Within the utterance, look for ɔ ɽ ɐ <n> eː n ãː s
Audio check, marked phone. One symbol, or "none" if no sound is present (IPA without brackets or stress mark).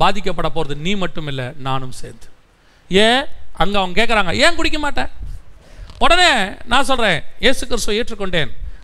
n